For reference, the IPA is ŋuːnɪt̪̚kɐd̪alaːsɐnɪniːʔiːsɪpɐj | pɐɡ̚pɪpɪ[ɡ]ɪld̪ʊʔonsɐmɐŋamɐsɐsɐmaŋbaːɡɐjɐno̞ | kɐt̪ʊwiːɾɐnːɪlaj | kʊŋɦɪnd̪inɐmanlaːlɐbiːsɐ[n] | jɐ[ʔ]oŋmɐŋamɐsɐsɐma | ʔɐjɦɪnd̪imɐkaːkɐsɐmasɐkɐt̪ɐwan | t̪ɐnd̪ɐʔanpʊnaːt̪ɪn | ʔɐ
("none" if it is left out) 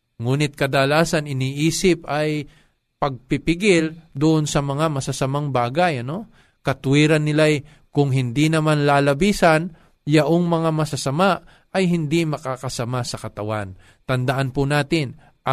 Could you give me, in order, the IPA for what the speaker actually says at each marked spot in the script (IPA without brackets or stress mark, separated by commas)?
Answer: ɡ, n, ʔ